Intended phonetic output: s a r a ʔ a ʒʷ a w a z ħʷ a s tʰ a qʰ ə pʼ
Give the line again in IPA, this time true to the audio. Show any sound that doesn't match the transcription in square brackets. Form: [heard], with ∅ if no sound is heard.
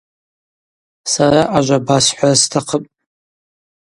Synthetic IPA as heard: s a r a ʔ a ʒʷ a [b] a [s] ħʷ a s tʰ a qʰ ə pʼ